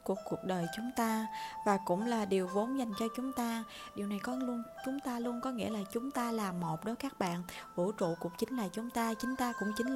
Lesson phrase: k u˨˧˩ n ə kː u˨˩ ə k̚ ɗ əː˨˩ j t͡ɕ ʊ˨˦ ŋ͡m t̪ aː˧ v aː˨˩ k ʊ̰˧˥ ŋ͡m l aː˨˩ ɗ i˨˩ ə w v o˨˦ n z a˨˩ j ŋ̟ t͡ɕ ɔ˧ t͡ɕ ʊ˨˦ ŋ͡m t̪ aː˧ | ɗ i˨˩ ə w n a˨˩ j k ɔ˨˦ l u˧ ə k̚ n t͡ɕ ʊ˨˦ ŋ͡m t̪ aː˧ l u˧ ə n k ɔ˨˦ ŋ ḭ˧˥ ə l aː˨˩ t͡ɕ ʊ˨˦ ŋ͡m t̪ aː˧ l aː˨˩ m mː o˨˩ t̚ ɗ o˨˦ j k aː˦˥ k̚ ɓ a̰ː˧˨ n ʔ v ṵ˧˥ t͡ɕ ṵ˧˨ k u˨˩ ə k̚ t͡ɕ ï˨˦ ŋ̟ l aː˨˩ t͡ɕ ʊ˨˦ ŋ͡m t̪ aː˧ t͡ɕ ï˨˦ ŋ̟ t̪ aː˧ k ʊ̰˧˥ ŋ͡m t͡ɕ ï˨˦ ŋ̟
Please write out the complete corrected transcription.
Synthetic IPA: k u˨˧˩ ə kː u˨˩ ə k̚ ɗ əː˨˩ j t͡ɕ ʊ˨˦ ŋ͡m t̪ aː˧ v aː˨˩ k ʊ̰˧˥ ŋ͡m l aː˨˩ ɗ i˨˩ ə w v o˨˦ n z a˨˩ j ŋ̟ t͡ɕ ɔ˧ t͡ɕ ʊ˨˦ ŋ͡m t̪ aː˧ | ɗ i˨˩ ə w n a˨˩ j k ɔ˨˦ l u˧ ə n t͡ɕ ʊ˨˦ ŋ͡m t̪ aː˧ l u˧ ə n k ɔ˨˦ ŋ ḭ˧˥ ə l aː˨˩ t͡ɕ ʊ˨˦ ŋ͡m t̪ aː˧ l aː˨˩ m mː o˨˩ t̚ ɗ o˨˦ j k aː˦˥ k̚ ɓ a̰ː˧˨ n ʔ v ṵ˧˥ t͡ɕ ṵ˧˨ k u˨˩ ə k̚ t͡ɕ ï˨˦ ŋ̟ l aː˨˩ t͡ɕ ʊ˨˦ ŋ͡m t̪ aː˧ t͡ɕ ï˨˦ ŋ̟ t̪ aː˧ k ʊ̰˧˥ ŋ͡m t͡ɕ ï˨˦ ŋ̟